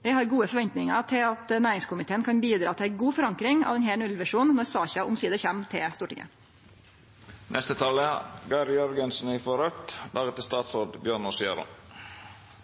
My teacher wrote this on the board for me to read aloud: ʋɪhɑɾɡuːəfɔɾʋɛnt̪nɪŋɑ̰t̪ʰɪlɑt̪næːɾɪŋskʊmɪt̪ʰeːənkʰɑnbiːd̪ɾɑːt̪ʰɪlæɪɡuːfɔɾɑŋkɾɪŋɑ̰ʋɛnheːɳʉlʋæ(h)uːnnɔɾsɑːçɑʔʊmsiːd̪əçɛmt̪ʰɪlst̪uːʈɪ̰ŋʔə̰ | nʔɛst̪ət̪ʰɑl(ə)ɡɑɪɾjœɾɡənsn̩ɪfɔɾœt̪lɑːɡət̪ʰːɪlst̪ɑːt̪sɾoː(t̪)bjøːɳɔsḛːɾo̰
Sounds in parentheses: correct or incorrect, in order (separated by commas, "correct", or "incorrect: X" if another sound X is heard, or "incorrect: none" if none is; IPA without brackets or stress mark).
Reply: incorrect: ʂ, correct, incorrect: d̪